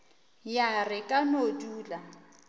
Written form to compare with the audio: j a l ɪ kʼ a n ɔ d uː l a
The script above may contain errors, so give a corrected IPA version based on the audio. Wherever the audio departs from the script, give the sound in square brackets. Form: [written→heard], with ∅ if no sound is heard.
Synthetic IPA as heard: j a [l→r] ɪ kʼ a n [ɔ→o] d uː l a